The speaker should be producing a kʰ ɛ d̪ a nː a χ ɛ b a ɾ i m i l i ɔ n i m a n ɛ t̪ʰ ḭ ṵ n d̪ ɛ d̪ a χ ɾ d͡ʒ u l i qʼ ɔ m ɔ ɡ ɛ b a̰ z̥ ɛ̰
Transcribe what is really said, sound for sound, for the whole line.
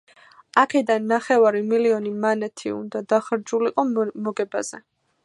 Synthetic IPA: a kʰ ɛ d̪ a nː a χ ɛ v a ɾ i m i l i ɔ n i m a n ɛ t̪ʰ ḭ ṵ n d̪ a d̪ a χ ɾ d͡ʒ u l i qʼ ɔ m ɔ ɡ ɛ b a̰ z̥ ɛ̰